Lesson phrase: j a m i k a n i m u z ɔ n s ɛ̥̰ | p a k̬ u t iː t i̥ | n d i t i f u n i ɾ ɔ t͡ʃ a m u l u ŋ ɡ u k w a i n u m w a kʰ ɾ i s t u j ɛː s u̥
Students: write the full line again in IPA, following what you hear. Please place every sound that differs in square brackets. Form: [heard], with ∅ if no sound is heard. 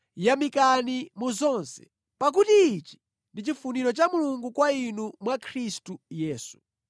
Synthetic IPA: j a m i k a n i m u z ɔ n s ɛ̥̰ | p a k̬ u t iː [t͡ʃ] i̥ | n d i [t͡ʃ] i f u n i ɾ ɔ t͡ʃ a m u l u ŋ ɡ u k w a i n u m w a kʰ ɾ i s t u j ɛː s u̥

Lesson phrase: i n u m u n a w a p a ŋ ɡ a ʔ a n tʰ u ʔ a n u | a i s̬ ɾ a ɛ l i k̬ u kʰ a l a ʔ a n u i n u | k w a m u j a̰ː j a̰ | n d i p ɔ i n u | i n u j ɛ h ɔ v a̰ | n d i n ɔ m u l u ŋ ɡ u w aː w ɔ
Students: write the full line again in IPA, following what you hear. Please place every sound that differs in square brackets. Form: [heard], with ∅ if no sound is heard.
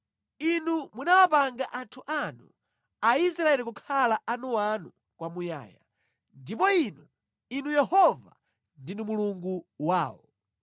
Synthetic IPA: i n u m u n a w a p a ŋ ɡ a ʔ a n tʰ u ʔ a n u | a i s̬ ɾ a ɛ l i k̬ u kʰ a l a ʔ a n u [a] n u | k w a m u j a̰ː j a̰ | n d i p ɔ i n u | i n u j ɛ h ɔ v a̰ | n d i n [u] m u l u ŋ ɡ u w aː w ɔ

